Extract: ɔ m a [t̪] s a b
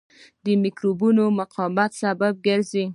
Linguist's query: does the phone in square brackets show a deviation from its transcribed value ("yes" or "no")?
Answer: no